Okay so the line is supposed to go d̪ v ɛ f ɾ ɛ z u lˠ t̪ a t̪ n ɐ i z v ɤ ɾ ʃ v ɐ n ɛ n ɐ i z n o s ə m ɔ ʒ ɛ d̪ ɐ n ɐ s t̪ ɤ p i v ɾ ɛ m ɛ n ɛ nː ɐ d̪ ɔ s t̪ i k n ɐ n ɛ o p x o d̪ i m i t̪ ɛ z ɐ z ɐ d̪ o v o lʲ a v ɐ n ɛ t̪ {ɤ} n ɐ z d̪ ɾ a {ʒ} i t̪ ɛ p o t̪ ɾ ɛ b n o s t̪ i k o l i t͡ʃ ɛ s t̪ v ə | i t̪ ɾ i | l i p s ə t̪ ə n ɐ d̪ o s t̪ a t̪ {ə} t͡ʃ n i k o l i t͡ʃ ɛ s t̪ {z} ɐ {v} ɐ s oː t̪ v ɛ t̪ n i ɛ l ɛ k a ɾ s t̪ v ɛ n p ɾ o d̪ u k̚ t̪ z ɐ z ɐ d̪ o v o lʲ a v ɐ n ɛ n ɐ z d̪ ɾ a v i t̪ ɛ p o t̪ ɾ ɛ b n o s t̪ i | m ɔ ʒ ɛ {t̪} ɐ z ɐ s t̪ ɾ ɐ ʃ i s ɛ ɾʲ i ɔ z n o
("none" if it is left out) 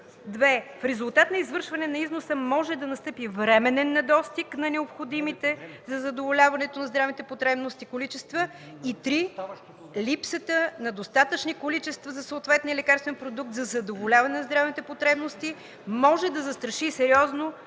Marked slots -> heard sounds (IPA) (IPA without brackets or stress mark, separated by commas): o, v, ə, v, z, d̪